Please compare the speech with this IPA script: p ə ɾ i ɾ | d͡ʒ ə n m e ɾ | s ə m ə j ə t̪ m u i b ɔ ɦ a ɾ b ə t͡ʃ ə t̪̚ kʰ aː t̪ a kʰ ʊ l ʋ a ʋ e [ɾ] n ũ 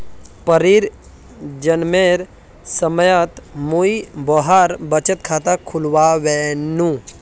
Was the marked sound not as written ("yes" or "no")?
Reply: yes